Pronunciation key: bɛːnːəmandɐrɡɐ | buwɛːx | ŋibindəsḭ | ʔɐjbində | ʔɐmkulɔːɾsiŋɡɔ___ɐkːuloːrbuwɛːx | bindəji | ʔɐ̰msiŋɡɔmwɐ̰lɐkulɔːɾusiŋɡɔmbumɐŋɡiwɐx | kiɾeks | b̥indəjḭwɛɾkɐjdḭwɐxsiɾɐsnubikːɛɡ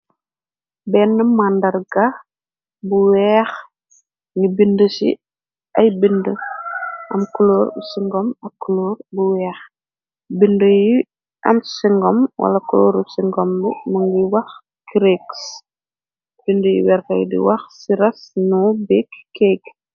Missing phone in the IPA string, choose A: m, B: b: A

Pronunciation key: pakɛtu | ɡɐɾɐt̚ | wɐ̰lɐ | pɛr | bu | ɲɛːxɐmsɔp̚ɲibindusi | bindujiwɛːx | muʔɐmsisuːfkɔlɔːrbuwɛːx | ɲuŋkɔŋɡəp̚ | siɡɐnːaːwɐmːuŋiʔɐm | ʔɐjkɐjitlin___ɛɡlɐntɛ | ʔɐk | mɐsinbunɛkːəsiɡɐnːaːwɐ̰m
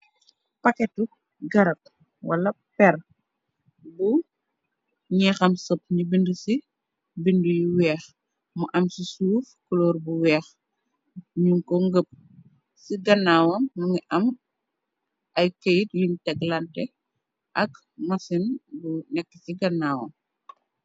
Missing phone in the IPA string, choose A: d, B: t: B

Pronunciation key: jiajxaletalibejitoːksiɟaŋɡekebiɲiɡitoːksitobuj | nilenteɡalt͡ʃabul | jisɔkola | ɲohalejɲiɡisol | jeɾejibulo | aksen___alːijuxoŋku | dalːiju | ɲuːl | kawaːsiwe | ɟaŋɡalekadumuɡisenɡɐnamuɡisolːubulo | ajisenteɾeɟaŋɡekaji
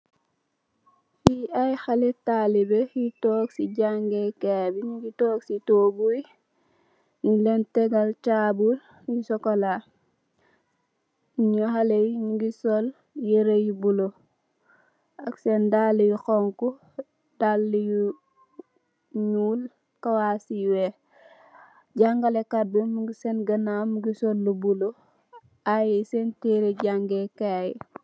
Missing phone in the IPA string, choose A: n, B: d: B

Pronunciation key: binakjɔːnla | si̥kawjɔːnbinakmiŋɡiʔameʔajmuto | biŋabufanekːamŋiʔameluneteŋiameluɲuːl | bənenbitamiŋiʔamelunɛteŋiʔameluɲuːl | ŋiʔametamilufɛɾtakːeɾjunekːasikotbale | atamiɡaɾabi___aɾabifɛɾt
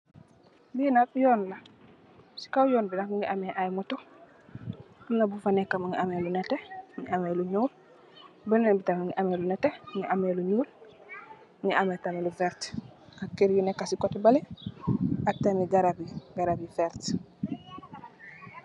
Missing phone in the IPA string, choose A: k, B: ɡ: B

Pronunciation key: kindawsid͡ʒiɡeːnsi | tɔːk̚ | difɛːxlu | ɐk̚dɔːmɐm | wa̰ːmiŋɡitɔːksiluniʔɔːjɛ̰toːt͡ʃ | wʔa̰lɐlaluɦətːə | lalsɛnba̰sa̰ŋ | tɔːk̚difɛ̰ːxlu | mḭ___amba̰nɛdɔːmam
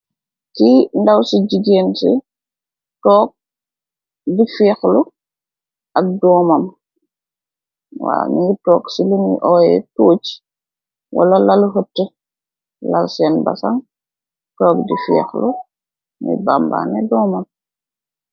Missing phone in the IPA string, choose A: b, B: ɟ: A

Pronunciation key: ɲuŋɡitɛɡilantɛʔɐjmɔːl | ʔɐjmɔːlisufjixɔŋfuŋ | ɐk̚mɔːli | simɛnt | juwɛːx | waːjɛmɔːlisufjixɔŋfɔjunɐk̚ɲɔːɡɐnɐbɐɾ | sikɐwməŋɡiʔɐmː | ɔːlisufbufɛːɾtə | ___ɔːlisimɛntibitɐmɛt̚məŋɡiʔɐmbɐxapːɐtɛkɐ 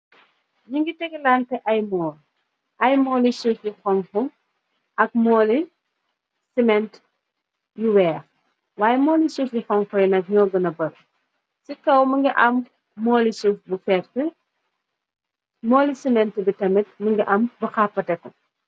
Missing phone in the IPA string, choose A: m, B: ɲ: A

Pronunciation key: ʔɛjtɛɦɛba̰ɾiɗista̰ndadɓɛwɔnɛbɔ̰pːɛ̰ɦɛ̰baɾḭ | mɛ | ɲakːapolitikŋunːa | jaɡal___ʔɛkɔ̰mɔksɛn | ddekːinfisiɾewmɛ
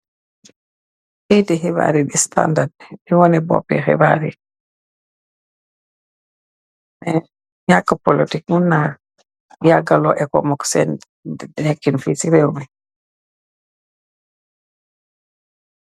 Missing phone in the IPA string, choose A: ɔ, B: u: A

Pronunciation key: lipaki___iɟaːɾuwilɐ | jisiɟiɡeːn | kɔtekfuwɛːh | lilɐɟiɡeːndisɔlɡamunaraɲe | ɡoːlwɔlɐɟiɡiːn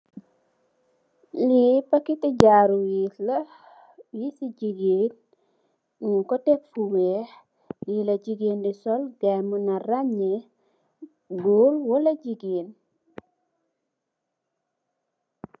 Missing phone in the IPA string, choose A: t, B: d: A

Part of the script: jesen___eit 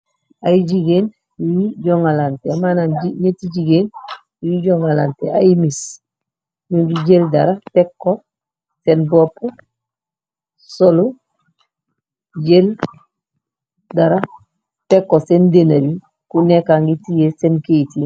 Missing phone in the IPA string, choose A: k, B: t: A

